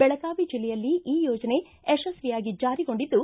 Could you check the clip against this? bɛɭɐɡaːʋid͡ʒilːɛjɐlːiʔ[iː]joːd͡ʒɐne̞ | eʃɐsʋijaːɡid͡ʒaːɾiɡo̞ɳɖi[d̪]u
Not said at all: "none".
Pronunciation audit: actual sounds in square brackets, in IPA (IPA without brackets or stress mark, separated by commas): iː, d̪ː